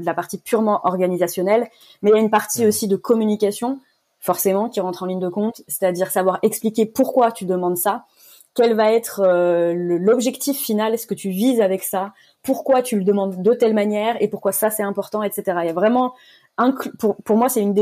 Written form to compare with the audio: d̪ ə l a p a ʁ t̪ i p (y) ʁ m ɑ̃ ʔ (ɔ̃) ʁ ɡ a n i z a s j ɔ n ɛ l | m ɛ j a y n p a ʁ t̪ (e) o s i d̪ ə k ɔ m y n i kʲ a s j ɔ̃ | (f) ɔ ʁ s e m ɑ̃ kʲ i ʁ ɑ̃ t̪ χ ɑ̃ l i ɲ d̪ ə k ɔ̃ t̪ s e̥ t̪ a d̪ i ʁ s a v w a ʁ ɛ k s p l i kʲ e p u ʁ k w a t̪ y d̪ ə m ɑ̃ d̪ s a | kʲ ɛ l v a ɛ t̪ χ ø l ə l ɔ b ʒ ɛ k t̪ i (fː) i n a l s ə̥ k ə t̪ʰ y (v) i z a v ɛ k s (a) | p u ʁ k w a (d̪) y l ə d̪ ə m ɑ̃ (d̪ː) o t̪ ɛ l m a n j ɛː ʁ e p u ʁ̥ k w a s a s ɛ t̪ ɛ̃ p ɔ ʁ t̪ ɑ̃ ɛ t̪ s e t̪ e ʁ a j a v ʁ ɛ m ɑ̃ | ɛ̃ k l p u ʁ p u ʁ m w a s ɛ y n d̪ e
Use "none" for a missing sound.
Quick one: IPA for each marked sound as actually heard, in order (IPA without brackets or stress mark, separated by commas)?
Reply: y, ɔ, i, f, fː, v, a, t̪, d̪ː